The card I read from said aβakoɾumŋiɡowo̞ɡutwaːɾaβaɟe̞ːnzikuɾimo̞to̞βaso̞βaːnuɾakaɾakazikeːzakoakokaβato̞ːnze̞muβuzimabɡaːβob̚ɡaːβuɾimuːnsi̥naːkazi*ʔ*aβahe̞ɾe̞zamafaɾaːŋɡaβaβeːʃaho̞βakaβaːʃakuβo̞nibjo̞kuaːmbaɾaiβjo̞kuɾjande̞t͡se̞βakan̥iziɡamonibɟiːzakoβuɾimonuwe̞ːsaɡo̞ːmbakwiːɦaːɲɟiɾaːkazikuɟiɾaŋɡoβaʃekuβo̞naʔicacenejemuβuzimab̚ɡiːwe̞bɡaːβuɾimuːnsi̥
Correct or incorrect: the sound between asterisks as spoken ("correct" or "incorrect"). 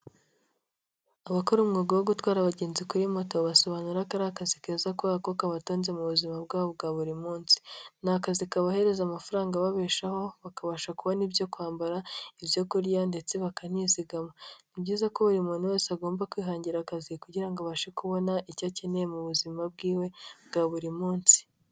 incorrect